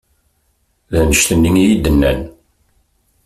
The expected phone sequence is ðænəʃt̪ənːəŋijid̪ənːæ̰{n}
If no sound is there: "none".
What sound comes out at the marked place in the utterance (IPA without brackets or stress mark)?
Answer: n